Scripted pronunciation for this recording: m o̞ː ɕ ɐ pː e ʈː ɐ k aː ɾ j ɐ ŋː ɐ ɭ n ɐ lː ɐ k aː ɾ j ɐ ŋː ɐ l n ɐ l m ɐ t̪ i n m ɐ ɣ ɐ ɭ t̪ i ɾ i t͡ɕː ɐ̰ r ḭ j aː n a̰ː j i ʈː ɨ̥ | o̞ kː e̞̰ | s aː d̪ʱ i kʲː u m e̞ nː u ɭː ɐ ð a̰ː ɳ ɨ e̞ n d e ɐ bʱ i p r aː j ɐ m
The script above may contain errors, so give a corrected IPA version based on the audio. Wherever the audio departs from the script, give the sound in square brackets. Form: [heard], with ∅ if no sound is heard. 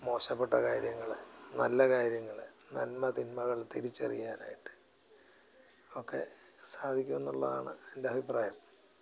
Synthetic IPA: m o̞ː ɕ ɐ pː e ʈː ɐ k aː ɾ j ɐ ŋː ɐ ɭ n ɐ lː ɐ k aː ɾ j ɐ ŋː ɐ [ɭ] n ɐ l m ɐ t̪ i n m ɐ ɣ ɐ ɭ t̪ i ɾ i t͡ɕː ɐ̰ r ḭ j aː n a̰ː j i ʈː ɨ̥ | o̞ kː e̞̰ | s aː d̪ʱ i kʲː u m e̞ nː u ɭː ɐ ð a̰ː ɳ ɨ e̞ n d e ɐ bʱ i p r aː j ɐ m